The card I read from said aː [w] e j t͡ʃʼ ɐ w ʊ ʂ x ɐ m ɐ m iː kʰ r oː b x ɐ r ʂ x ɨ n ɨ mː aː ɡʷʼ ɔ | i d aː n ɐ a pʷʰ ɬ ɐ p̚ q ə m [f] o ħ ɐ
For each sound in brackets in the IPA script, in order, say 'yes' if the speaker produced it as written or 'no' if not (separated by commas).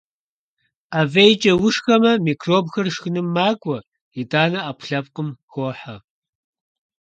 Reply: no, no